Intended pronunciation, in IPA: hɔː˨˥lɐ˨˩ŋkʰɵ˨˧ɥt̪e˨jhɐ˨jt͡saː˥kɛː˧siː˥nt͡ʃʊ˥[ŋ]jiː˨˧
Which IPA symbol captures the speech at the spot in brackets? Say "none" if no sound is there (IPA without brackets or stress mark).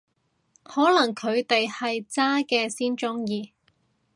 ŋ